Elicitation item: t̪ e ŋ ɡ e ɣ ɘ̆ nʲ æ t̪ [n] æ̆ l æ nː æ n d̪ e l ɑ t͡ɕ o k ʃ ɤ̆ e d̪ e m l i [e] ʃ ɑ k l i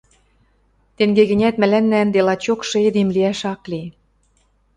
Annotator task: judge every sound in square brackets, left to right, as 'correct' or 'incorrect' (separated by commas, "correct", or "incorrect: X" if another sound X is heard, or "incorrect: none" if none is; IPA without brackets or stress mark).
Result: incorrect: m, incorrect: æ